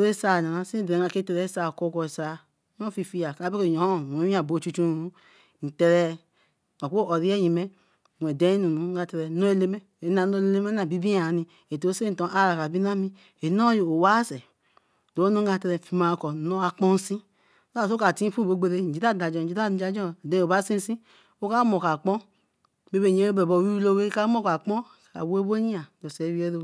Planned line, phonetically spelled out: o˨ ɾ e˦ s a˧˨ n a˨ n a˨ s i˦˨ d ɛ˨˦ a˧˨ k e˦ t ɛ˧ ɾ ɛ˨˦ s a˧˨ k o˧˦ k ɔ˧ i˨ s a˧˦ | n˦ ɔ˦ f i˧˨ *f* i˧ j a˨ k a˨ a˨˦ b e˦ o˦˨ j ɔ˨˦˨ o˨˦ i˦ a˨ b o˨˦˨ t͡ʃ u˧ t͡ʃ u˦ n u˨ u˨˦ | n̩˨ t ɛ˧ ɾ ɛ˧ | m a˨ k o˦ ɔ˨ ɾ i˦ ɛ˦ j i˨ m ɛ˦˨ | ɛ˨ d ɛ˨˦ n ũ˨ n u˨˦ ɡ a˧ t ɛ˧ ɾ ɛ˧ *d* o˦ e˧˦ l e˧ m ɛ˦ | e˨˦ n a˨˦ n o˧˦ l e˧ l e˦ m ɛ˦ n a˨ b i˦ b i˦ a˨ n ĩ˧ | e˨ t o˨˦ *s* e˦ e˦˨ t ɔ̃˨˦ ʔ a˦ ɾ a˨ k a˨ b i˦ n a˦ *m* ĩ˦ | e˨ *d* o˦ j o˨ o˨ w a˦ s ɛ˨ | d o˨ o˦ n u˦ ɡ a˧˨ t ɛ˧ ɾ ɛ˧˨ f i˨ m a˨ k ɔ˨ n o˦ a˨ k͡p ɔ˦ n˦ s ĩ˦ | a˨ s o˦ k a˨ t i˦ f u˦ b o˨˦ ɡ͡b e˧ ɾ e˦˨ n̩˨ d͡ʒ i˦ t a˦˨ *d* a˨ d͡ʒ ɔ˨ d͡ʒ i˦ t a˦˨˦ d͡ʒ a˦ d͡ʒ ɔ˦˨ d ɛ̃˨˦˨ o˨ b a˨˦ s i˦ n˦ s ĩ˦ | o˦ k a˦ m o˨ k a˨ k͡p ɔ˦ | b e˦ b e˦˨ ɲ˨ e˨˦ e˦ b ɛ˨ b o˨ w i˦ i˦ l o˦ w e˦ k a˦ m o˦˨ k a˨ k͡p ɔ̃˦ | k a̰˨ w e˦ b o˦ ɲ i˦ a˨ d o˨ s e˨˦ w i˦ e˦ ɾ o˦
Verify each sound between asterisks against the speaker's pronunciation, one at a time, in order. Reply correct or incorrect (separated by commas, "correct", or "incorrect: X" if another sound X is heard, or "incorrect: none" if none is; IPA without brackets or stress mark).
correct, incorrect: n, correct, correct, incorrect: n, correct